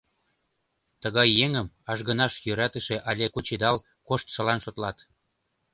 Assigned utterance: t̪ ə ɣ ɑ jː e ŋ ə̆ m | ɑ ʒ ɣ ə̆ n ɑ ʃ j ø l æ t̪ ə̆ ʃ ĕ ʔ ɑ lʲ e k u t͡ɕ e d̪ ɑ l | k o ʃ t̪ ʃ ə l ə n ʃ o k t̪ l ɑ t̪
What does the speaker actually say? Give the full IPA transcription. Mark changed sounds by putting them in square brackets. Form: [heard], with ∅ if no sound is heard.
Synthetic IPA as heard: t̪ ə ɣ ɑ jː e ŋ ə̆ m | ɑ ʒ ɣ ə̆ n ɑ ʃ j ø [ɾ] æ t̪ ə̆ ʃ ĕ ʔ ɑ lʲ e k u t͡ɕ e d̪ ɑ l | k o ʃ t̪ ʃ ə l [ɑ] n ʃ o [∅] t̪ l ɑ t̪